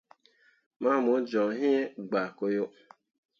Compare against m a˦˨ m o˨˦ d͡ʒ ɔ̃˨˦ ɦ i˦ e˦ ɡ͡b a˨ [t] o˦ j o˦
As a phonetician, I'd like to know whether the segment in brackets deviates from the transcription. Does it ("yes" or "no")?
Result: yes